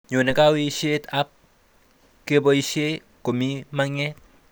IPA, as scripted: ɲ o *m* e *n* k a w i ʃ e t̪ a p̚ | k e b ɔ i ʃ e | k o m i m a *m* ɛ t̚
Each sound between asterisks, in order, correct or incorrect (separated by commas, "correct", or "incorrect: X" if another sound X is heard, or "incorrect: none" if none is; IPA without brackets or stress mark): incorrect: n, incorrect: none, incorrect: ŋ